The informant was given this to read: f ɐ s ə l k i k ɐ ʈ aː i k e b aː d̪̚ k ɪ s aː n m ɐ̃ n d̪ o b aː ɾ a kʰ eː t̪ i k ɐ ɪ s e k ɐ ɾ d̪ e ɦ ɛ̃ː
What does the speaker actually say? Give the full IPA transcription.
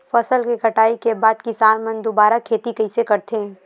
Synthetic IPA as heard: f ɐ s ə l k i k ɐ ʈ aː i k e b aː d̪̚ k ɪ s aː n m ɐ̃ n d̪ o b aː ɾ a kʰ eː t̪ i k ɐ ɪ s e k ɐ ɾ t̪ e ɦ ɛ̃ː